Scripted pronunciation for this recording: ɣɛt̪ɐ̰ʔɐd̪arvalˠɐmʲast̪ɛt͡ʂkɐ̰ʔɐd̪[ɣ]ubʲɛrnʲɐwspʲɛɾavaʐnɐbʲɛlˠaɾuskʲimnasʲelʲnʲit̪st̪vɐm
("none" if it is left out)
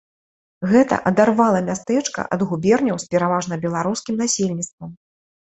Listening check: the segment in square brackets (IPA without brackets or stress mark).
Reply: ɣ